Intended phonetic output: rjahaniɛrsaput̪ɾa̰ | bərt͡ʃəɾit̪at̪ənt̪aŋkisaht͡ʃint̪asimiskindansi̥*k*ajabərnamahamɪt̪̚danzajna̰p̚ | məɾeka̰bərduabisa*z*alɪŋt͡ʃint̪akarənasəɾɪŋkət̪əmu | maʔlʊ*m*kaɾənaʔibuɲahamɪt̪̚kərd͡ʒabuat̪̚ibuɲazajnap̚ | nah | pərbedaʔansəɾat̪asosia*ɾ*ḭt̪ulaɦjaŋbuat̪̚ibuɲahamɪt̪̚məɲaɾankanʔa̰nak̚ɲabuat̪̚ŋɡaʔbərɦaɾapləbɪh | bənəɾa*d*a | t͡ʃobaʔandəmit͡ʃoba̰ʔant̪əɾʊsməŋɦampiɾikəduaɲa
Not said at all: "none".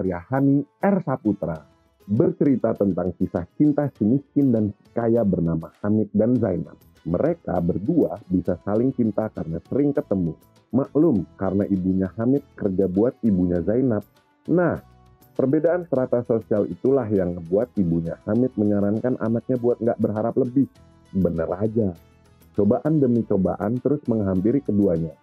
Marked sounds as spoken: k, s, m, l, d͡ʒ

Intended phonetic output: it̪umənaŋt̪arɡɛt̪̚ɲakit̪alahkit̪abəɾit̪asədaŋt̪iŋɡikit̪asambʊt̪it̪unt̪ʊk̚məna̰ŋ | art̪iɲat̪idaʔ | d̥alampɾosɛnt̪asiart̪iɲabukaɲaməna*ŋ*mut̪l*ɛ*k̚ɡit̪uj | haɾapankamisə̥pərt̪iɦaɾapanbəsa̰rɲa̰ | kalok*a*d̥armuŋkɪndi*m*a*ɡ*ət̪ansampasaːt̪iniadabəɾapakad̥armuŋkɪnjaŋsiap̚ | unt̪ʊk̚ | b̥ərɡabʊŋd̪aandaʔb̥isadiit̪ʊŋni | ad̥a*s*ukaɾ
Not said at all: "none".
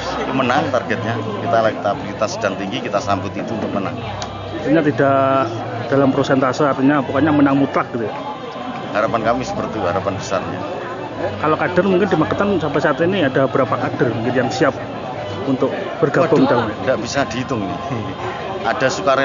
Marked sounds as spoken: ŋ, a, a, m, k, s

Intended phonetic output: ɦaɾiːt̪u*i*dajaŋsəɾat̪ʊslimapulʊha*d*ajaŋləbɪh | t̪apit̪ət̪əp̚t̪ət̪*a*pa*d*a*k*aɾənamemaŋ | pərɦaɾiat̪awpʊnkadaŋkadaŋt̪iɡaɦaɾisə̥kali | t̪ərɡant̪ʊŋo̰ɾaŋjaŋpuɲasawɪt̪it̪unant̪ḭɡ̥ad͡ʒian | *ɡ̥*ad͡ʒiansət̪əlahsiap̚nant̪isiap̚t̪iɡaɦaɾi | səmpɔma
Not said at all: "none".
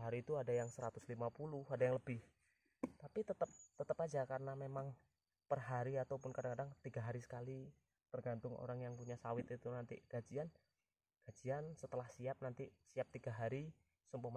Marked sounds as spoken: a, d, ə, d͡ʒ, k, ɡ̥

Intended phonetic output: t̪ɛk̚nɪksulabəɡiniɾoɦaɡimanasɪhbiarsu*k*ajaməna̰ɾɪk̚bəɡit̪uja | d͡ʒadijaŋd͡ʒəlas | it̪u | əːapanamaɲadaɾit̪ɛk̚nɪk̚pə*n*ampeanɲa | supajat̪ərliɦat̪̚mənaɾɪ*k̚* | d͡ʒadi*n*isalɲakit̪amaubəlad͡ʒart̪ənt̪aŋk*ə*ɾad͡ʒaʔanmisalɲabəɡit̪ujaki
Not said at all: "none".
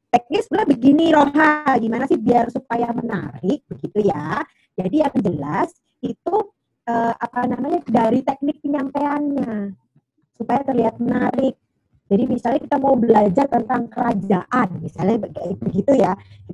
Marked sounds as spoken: p, ɲ, k̚, m, ə

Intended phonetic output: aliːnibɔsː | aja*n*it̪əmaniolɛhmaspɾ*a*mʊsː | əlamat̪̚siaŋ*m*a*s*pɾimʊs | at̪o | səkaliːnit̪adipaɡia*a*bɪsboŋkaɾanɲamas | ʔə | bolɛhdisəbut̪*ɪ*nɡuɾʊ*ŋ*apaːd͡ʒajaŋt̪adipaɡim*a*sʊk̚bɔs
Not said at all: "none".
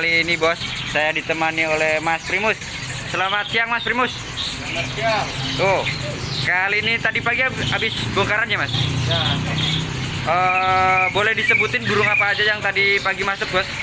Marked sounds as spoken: d, i, m, s, a, ɪ, ŋ, a

